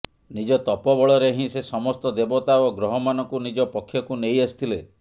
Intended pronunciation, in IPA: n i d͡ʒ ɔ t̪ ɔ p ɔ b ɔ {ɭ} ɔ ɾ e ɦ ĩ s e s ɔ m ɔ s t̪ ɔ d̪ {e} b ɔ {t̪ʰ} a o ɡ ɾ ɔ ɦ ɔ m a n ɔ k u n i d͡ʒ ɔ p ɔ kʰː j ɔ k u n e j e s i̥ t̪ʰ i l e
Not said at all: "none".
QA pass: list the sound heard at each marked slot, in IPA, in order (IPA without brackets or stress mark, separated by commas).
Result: ɭ, e, t̪